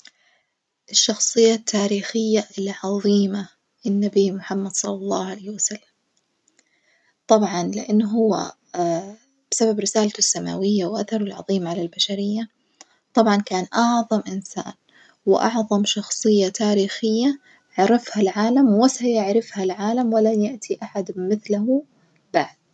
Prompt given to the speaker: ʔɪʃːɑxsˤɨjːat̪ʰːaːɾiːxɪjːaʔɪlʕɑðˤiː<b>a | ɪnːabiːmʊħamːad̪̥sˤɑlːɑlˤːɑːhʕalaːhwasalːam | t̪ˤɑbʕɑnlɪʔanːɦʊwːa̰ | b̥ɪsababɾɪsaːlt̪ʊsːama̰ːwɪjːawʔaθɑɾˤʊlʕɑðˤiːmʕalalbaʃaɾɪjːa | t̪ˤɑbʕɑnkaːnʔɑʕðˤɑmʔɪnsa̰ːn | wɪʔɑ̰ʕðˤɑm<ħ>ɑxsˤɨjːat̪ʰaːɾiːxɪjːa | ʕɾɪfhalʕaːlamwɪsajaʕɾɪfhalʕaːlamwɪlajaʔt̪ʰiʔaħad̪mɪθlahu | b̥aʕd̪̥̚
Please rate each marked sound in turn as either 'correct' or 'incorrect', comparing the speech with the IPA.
incorrect: m, incorrect: ʃ

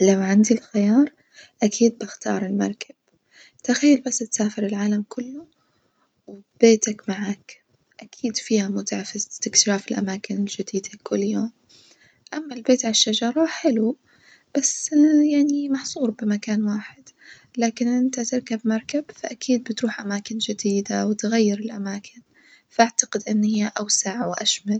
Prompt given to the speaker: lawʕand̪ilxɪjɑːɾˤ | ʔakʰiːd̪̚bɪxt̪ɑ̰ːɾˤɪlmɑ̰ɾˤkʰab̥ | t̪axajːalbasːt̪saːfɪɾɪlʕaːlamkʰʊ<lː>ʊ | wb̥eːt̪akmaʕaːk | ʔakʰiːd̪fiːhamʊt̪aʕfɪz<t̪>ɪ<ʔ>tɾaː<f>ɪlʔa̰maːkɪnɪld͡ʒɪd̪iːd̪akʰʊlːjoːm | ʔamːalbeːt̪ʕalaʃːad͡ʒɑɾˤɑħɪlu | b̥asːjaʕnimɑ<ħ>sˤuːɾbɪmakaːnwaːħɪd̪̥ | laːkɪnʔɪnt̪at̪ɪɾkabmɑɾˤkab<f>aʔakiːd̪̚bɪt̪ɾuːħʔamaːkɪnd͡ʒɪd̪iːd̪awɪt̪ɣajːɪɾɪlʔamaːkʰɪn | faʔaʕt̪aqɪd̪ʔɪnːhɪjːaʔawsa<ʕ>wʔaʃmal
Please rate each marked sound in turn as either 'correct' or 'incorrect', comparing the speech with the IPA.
correct, correct, incorrect: k, correct, correct, correct, correct

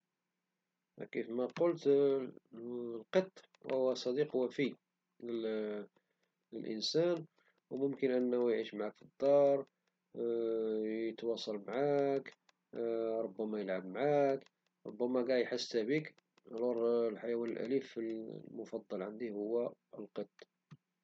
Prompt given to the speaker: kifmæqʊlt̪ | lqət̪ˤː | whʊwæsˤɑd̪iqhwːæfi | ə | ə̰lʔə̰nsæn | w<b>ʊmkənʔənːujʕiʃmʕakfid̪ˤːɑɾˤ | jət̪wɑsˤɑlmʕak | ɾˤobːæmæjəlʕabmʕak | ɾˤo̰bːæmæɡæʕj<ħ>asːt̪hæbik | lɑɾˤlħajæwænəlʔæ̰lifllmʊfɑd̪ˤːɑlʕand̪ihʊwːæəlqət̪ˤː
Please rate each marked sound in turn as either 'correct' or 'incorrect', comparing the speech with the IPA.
incorrect: m, correct

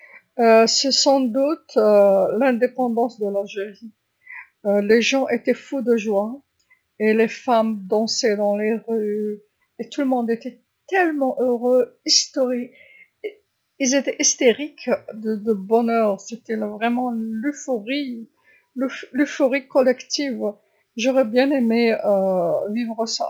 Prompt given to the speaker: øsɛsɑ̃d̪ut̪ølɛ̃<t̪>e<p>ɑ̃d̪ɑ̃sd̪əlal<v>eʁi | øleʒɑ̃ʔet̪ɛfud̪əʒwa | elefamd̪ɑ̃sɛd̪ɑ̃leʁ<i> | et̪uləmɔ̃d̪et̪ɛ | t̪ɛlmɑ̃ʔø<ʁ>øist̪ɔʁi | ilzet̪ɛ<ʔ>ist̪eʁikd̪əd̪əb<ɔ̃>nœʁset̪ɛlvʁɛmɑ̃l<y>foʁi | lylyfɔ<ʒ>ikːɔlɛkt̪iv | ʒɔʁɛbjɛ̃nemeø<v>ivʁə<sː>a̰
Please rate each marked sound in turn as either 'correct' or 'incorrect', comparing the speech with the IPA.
incorrect: d̪, correct, incorrect: ʒ, incorrect: y, correct, correct, incorrect: ɔ, correct, incorrect: ʁ, correct, incorrect: s

